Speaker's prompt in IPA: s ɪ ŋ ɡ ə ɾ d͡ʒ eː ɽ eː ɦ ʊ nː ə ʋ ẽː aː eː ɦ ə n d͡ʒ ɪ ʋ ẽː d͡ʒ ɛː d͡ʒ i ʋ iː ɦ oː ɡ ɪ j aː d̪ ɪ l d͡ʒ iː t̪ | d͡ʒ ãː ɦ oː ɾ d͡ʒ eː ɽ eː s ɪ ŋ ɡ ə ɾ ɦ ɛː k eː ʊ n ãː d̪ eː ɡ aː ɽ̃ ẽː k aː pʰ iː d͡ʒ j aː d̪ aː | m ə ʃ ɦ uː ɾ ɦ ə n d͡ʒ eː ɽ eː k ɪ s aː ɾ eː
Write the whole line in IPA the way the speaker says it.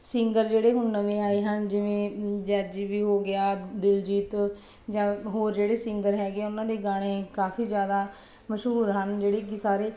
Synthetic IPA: s ɪ ŋ ɡ ə ɾ d͡ʒ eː ɽ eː ɦ ʊ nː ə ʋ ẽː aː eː ɦ ə n d͡ʒ ɪ ʋ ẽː d͡ʒ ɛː d͡ʒ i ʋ iː ɦ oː ɡ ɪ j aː d̪ ɪ l d͡ʒ iː t̪ | d͡ʒ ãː ɦ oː ɾ d͡ʒ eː ɽ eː s ɪ ŋ ɡ ə ɾ ɦ ɛː ɡ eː ʊ n ãː d̪ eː ɡ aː ɽ̃ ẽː k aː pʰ iː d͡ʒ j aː d̪ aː | m ə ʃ ɦ uː ɾ ɦ ə n d͡ʒ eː ɽ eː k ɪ s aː ɾ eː